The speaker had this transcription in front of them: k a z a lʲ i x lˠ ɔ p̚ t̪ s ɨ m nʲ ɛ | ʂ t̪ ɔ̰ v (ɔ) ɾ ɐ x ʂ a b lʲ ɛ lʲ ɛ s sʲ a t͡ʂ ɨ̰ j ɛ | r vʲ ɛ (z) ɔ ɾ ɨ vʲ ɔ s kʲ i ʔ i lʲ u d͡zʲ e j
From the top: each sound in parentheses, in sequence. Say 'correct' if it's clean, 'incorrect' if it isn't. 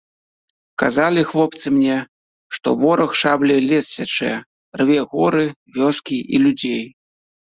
correct, incorrect

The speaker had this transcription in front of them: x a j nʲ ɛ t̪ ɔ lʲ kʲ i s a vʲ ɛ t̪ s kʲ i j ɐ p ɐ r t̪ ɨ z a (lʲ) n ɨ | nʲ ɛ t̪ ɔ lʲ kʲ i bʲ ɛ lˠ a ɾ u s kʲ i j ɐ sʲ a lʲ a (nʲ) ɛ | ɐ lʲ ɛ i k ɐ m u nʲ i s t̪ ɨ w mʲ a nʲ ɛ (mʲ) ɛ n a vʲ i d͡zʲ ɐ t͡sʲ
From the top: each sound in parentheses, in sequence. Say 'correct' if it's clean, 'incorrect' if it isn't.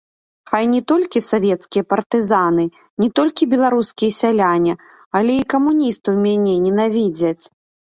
incorrect, correct, incorrect

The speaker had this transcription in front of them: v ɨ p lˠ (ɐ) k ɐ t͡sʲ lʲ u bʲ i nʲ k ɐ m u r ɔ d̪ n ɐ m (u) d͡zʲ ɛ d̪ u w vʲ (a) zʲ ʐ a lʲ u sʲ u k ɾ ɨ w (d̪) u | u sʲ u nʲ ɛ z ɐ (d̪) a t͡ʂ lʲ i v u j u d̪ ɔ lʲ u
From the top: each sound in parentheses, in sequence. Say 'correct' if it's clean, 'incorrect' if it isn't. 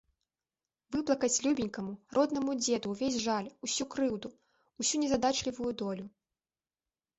correct, correct, incorrect, correct, correct

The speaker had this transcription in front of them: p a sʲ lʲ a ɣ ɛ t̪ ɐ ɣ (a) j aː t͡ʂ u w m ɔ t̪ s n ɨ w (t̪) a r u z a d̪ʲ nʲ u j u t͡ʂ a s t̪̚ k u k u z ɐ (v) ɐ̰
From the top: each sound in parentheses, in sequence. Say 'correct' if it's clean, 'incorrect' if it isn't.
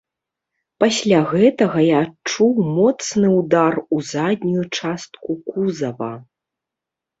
incorrect, incorrect, correct

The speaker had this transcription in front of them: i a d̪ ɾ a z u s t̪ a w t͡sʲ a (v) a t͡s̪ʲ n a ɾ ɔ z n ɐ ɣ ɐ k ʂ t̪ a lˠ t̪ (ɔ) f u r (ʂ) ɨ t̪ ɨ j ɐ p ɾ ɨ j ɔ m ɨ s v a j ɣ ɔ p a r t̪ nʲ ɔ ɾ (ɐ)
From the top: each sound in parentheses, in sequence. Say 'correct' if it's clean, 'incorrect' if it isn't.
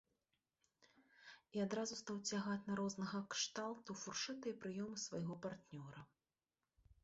incorrect, incorrect, correct, correct

